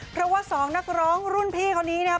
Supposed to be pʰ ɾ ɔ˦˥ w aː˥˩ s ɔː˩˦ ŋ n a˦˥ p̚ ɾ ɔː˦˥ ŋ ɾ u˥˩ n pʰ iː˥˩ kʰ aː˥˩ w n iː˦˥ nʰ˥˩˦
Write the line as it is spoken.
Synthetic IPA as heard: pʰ ɾ ɔ˦˥ w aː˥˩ s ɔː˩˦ ŋ n a˦˥ k̚ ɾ ɔː˦˥ ŋ ɾ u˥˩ n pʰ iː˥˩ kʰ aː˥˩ w n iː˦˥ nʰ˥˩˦